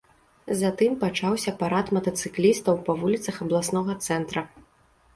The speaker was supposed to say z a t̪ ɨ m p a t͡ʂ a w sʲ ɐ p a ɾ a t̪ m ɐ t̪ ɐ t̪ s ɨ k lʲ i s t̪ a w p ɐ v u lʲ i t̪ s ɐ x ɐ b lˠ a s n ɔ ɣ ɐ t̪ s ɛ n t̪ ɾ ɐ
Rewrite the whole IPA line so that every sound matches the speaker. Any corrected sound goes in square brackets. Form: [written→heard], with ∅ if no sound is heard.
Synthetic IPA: z a t̪ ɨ m p a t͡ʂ a w sʲ ɐ p a ɾ a t̪ m ɐ t̪ ɐ t̪ s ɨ k lʲ i s t̪ [a→ɐ] w p ɐ v u lʲ i t̪ s ɐ x ɐ b lˠ a s n ɔ ɣ ɐ t̪ s ɛ n t̪ ɾ ɐ